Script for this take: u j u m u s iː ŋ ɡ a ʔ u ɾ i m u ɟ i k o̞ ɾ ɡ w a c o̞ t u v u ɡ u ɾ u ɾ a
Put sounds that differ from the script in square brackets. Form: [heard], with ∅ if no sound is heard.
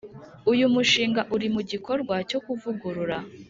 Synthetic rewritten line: u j u m u [ʃ] iː ŋ ɡ a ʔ u ɾ i m u ɟ i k o̞ ɾ ɡ w a c o̞ [k] u v u ɡ u ɾ u ɾ a